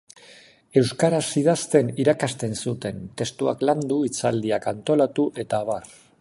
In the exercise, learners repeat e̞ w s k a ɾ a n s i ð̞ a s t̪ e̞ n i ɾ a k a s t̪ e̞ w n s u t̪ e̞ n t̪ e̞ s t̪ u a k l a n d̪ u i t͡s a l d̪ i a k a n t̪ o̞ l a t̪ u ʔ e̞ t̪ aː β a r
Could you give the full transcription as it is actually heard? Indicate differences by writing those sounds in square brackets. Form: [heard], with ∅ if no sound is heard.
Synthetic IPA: e̞ w s k a ɾ a [∅] s i ð̞ a s t̪ e̞ n i ɾ a k a s t̪ e̞ [∅] n s u t̪ e̞ n t̪ e̞ s t̪ u a k l a n d̪ u i t͡s a l d̪ i a k a n t̪ o̞ l a t̪ u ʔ e̞ t̪ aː β a r